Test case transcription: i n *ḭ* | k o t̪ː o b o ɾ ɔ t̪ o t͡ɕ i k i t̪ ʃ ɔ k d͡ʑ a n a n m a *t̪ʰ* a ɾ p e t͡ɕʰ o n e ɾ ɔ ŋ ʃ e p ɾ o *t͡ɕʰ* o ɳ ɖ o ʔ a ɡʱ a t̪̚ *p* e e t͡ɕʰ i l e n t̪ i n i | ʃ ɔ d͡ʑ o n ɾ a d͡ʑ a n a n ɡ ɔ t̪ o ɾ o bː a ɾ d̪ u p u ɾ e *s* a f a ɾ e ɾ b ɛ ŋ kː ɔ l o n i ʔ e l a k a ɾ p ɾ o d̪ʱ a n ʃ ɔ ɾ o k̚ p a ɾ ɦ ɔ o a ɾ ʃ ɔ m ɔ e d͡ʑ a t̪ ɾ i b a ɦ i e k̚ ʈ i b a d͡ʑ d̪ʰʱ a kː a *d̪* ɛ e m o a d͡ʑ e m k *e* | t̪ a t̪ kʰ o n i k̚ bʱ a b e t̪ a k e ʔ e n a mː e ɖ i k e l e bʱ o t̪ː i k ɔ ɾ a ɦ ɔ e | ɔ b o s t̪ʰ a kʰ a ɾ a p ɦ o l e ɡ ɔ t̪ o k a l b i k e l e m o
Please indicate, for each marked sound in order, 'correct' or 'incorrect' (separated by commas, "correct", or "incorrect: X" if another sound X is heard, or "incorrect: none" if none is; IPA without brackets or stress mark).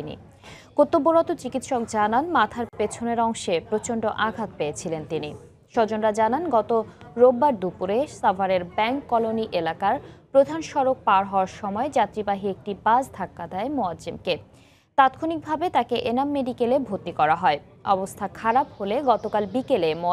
correct, correct, incorrect: t͡ɕ, correct, correct, correct, correct